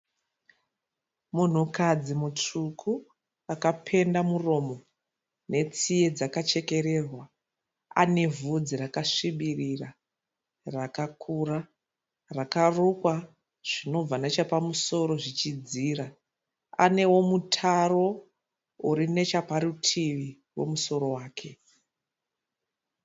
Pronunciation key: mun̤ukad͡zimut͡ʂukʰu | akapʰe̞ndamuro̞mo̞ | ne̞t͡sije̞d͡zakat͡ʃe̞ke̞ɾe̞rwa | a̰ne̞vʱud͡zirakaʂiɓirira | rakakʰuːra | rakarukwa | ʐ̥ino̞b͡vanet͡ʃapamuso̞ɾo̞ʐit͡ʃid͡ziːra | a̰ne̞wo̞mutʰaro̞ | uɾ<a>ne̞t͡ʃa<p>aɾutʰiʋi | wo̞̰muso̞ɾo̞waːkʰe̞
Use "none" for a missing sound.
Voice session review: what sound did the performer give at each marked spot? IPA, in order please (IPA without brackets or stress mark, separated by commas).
i, p